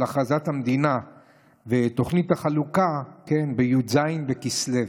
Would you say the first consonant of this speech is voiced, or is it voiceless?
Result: voiceless